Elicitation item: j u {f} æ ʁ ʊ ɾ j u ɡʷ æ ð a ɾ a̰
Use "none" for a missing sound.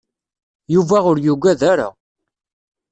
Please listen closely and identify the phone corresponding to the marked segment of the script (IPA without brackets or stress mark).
v